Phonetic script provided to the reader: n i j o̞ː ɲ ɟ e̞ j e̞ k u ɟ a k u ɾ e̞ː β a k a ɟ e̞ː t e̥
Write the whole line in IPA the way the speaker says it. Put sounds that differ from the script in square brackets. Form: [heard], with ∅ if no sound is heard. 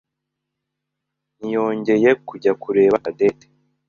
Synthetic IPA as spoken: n i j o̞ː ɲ ɟ e̞ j e̞ k u ɟ a k u ɾ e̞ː β a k a [d] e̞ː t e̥